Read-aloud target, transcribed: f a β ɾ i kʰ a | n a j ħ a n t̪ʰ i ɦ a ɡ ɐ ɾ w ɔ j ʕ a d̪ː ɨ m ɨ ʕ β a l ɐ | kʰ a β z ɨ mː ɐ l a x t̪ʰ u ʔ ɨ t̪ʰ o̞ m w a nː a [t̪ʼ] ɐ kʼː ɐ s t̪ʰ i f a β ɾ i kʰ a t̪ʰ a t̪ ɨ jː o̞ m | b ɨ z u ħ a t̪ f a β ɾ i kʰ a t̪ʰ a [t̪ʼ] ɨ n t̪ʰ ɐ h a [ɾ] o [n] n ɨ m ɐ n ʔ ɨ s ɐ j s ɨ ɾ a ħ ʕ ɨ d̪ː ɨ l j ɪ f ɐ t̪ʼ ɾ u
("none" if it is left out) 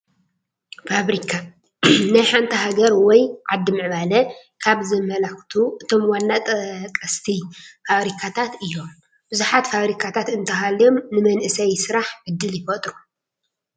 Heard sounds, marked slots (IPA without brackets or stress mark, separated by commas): t̪ʼ, t̪, l, m